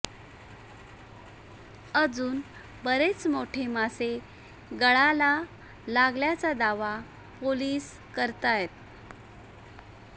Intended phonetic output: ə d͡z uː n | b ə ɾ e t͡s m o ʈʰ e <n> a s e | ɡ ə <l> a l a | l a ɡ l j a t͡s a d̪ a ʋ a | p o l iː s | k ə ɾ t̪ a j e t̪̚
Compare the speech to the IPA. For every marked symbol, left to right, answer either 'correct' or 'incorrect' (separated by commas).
incorrect, incorrect